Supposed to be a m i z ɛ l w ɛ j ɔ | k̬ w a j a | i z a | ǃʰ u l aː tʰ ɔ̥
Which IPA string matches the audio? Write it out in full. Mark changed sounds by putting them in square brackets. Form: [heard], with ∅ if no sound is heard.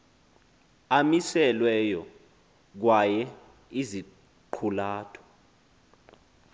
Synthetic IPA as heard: a m i [s] ɛ l w ɛ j ɔ | k̬ w a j [ɛ] | i z [i] | ǃʰ u l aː tʰ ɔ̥